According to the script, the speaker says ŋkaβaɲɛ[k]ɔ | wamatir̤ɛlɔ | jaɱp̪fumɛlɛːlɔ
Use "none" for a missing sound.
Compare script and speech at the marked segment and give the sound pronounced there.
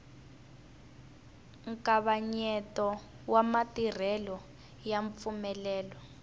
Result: t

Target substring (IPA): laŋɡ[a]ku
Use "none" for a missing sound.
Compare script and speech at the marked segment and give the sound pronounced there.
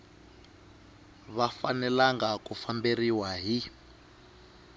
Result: a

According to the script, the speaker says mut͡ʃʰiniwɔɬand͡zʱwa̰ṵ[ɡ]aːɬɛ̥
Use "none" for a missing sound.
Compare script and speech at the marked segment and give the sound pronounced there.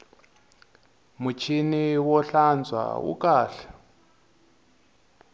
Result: k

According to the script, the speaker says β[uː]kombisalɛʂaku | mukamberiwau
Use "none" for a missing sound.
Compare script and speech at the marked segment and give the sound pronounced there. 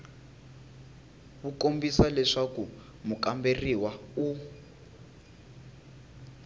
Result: u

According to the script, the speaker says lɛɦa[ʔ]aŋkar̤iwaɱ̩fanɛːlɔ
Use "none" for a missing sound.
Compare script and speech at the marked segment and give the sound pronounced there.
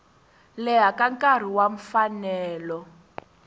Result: k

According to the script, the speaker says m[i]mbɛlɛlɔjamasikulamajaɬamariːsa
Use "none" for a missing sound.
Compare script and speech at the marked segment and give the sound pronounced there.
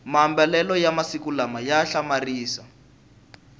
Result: a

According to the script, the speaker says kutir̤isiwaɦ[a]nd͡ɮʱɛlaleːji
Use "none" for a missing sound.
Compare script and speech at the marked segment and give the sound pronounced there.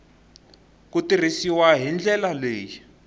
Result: i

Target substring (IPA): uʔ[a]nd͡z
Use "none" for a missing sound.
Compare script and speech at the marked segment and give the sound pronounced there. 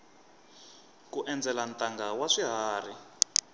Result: ɛ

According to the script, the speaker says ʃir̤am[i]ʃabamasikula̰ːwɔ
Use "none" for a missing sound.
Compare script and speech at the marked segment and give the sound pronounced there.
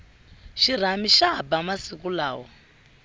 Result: i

